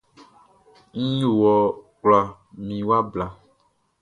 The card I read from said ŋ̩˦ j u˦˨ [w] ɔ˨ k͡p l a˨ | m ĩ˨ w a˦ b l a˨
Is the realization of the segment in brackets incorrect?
no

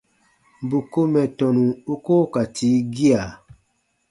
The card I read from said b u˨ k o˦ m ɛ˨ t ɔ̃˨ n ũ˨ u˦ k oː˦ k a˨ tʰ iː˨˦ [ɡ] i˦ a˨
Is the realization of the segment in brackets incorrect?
no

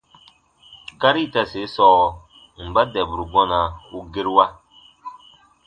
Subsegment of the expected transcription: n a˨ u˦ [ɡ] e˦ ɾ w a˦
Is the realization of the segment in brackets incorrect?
no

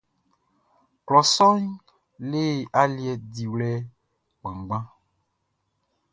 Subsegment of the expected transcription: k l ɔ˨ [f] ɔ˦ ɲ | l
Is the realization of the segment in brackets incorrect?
yes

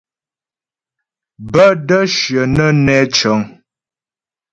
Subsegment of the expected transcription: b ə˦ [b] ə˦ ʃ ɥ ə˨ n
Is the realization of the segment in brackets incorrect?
yes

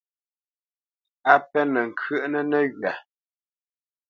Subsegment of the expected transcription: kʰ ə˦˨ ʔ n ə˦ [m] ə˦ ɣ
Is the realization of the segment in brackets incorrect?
yes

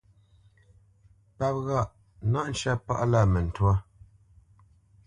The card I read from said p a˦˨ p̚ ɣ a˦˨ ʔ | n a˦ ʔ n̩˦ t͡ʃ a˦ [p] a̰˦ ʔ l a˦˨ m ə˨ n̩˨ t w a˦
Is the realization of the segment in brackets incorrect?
no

